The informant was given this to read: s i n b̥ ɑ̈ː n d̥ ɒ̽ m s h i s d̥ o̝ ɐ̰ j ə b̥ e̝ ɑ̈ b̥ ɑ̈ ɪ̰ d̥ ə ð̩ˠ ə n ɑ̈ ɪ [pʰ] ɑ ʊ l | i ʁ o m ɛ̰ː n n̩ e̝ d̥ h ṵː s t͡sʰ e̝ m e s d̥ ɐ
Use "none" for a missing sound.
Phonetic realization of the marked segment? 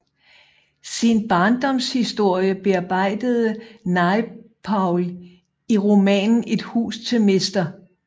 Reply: pʰ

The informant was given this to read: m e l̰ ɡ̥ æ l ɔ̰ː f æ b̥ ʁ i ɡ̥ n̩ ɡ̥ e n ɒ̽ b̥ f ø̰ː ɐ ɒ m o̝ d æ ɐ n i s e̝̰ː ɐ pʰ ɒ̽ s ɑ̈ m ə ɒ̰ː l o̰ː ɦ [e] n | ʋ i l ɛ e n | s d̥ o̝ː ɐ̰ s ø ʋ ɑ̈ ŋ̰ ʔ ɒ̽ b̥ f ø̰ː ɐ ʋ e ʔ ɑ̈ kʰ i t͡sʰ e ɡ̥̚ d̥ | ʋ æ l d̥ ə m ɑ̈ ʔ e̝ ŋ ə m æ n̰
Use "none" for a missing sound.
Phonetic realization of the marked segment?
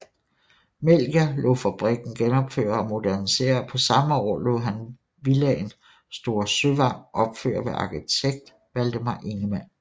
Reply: æ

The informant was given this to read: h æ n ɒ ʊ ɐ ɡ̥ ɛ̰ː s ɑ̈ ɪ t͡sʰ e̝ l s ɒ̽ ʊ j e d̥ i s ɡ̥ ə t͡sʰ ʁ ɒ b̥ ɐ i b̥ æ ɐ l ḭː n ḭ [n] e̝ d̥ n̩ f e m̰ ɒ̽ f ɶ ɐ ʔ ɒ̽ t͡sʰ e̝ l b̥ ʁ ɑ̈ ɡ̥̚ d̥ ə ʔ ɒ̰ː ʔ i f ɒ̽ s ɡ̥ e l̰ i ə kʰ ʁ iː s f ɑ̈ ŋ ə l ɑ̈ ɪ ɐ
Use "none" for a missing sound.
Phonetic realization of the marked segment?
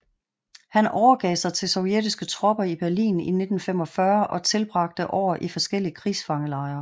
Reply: n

